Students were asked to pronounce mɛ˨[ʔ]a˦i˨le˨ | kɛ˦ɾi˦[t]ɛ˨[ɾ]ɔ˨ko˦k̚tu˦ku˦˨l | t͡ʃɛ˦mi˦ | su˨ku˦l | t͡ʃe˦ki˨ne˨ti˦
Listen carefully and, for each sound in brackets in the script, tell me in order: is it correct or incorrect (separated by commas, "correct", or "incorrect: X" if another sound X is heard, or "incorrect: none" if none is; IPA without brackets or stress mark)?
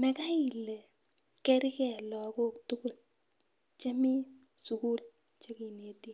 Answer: incorrect: k, incorrect: k, incorrect: l